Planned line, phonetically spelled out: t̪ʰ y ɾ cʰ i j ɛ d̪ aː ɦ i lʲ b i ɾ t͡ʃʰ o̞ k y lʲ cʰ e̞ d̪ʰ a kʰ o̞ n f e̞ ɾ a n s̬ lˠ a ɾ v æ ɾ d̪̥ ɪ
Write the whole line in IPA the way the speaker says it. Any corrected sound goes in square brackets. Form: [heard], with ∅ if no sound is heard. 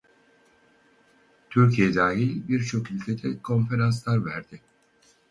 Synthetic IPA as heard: t̪ʰ y ɾ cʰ i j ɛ d̪ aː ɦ i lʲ b i ɾ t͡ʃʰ o̞ k y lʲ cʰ e̞ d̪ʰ [ɛ] kʰ o̞ n f e̞ ɾ a n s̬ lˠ a ɾ v æ ɾ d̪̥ ɪ